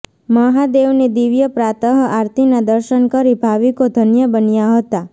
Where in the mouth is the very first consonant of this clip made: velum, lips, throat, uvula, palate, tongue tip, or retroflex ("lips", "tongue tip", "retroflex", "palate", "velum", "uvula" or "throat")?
lips